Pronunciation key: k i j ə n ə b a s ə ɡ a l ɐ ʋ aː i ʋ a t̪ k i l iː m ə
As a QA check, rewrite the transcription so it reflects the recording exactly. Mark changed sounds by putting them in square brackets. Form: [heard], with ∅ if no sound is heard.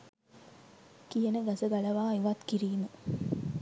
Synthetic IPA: k i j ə n ə [ɡ] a s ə ɡ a l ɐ ʋ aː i ʋ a t̪ k i [ɾ] iː m ə